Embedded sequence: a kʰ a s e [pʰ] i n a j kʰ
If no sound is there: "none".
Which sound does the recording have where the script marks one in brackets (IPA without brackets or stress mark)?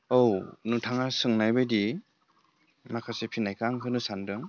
pʰ